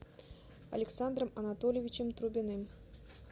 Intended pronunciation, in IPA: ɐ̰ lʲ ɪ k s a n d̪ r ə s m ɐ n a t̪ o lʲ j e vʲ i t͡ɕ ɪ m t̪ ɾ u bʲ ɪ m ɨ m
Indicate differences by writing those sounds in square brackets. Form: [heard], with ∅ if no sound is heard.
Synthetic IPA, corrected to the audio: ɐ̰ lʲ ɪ k s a n d̪ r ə [∅] m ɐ n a t̪ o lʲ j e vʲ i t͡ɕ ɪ m t̪ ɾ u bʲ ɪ [n] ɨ m